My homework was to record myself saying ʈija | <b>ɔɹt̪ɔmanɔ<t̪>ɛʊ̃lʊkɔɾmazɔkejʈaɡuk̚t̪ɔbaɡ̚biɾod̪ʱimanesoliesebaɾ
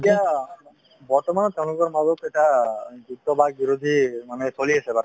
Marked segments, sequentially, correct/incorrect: correct, correct

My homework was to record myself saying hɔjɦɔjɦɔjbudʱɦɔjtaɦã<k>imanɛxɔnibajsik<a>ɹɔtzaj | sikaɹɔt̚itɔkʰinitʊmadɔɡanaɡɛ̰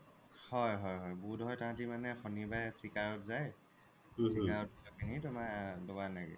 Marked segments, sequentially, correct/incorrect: incorrect, correct

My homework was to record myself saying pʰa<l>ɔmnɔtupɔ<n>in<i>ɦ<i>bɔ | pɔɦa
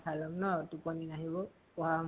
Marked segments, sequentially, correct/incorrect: correct, correct, incorrect, correct

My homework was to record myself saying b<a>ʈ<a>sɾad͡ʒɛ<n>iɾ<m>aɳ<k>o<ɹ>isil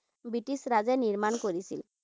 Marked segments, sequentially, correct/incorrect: incorrect, incorrect, correct, correct, correct, incorrect

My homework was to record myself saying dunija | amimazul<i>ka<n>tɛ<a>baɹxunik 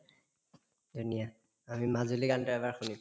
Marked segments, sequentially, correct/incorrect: correct, correct, incorrect

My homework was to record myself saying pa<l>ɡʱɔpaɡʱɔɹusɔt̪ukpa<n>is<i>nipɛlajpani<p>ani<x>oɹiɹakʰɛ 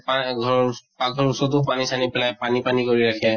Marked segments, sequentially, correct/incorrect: incorrect, correct, incorrect, correct, incorrect

